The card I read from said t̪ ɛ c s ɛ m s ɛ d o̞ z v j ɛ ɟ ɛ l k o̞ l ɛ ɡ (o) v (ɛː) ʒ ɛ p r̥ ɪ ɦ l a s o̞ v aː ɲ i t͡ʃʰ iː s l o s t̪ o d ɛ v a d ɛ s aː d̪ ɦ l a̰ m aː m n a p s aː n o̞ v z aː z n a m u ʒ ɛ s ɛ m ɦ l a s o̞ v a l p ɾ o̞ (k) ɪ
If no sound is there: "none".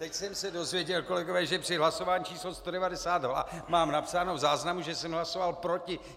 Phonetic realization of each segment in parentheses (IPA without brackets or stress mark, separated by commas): o, ɛː, c